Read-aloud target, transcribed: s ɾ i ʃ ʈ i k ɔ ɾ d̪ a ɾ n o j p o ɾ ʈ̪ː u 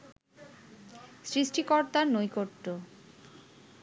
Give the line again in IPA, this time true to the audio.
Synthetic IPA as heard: s ɾ i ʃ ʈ i k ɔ ɾ t̪ a ɾ n o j k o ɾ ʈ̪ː o